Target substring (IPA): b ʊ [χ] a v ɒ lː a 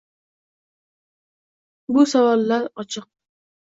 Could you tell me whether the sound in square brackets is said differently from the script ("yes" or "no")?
yes